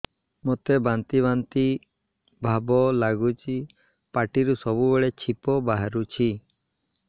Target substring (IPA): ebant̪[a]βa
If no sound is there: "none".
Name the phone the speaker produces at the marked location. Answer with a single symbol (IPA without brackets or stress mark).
i